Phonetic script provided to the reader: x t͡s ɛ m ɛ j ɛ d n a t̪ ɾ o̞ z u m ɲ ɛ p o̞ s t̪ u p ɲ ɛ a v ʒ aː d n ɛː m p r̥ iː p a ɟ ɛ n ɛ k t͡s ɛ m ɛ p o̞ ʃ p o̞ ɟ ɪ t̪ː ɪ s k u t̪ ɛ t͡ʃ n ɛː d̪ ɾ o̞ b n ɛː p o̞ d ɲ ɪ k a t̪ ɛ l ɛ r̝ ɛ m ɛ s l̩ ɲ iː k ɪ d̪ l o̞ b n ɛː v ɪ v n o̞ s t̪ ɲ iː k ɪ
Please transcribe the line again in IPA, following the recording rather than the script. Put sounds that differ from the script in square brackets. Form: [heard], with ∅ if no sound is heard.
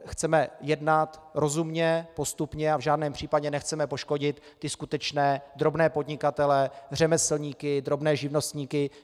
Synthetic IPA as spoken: x t͡s ɛ m ɛ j ɛ d n a t̪ ɾ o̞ z u m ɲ ɛ p o̞ s t̪ u p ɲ ɛ a v ʒ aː d n ɛː m p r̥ iː p a ɟ ɛ n ɛ [x] t͡s ɛ m ɛ p o̞ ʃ [k] o̞ ɟ ɪ t̪ː ɪ s k u t̪ ɛ t͡ʃ n ɛː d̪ ɾ o̞ b n ɛː p o̞ d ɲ ɪ k a t̪ ɛ l ɛ r̝ ɛ m ɛ s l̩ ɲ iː k ɪ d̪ [ɾ] o̞ b n ɛː [ʒ] ɪ v n o̞ s t̪ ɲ iː k ɪ